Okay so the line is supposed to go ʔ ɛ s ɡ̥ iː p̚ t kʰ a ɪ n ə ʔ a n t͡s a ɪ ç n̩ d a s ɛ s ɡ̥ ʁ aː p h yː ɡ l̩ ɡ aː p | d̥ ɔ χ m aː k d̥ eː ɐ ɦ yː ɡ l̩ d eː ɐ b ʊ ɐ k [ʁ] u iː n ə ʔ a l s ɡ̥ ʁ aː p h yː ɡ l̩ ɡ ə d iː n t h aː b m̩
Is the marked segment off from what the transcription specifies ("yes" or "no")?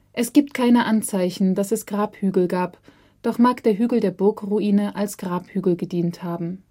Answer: no